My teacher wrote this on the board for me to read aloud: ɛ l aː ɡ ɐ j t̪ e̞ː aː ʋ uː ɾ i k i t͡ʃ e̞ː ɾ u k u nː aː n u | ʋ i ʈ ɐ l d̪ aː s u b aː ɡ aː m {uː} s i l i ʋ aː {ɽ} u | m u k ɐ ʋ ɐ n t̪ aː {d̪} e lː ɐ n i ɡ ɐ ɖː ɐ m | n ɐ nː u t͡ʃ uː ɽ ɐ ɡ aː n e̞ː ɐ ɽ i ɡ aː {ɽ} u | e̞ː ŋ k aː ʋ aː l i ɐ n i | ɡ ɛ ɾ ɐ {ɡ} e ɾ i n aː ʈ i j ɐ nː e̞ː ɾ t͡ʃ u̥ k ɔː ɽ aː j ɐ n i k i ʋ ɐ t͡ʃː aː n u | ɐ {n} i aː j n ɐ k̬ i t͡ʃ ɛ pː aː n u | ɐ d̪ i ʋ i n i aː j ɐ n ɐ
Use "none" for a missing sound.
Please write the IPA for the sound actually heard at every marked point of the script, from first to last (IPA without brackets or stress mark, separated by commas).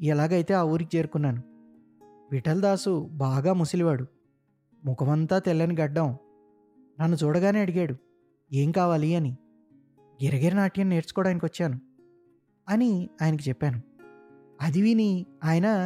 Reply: u, ɽ, t̪, ɽ, ɡ, n